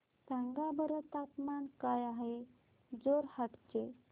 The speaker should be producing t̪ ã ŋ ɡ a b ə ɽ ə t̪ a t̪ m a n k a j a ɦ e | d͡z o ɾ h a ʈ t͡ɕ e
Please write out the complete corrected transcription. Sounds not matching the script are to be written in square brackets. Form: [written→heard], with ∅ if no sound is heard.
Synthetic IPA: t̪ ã ŋ ɡ a b ə [ɽ→ɾ] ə t̪ a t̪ m a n k a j a ɦ e | d͡z o ɾ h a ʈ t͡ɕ e